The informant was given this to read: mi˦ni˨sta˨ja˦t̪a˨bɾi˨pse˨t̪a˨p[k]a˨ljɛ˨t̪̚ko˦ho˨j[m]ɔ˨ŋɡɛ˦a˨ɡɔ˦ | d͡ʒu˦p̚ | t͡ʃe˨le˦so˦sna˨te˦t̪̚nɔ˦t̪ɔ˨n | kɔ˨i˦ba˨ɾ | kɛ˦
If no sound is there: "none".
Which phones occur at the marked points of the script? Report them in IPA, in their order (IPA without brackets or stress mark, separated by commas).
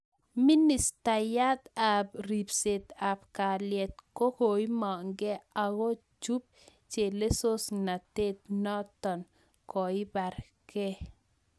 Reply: k, m